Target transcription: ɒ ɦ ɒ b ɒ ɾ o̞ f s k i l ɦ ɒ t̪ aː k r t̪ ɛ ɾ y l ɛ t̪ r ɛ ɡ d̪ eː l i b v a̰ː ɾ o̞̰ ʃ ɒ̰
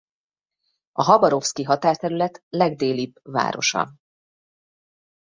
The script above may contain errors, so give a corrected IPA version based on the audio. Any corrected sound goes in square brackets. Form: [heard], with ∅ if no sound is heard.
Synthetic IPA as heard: ɒ ɦ ɒ b ɒ ɾ o̞ f s k i [∅] ɦ ɒ t̪ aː [∅] r t̪ ɛ ɾ y l ɛ t̪ [l] ɛ ɡ d̪ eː l i b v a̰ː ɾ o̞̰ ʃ ɒ̰